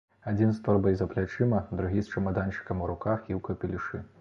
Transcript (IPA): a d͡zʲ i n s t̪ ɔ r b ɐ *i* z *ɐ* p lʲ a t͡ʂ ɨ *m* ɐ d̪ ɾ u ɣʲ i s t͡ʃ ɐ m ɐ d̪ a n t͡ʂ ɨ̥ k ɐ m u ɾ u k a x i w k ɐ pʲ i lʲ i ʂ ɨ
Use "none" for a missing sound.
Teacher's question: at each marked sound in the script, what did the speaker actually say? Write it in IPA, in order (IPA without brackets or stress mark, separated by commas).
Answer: j, ɐ, m